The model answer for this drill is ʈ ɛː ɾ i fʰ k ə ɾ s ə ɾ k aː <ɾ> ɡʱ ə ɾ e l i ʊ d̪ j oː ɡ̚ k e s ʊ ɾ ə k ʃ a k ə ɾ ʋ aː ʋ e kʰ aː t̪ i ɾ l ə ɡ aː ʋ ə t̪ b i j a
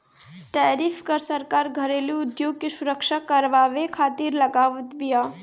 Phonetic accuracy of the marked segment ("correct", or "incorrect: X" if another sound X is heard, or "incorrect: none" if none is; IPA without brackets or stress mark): correct